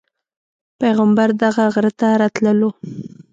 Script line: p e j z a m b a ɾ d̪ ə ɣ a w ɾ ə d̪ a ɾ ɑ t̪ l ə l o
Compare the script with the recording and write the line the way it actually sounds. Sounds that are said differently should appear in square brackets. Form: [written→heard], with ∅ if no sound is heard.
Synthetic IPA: p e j [z→ɣ] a m b a ɾ d̪ [ə→a] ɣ a [w→ɣ] ɾ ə [d̪→t̪] a ɾ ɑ t̪ l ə l o